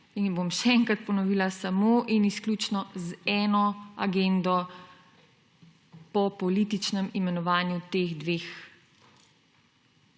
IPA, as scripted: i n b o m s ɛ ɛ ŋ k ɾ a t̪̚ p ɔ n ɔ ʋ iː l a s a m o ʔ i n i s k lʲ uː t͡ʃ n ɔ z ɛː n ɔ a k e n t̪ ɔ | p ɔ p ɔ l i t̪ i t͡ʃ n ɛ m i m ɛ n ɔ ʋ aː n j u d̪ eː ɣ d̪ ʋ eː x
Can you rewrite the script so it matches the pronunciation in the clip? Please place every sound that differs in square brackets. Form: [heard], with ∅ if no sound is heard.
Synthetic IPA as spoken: i n b o m [ʃ] ɛ ɛ ŋ k ɾ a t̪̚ p ɔ n ɔ ʋ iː l a s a m o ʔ i n i s k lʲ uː t͡ʃ n ɔ z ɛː n ɔ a [ɡ] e n [d̪] ɔ | p ɔ p ɔ l i t̪ i t͡ʃ n ɛ m i m ɛ n ɔ ʋ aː n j u [t̪] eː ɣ d̪ ʋ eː x